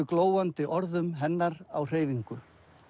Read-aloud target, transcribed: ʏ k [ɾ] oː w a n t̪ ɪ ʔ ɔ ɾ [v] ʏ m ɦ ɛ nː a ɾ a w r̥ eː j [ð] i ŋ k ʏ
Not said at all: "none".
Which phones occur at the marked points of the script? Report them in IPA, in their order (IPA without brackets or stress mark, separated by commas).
l, ð, v